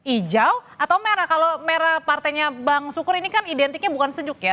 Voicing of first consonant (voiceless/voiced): voiced